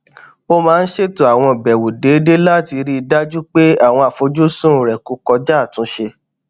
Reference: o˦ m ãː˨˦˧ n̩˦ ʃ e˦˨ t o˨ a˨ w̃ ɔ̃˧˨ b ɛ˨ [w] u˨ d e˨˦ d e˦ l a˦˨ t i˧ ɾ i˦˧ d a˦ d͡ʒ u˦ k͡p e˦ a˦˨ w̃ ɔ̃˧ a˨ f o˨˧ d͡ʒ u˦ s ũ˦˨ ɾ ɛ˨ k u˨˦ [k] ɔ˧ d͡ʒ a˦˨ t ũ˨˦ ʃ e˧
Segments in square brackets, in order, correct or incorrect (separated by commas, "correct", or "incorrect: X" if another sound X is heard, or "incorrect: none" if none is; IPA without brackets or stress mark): correct, correct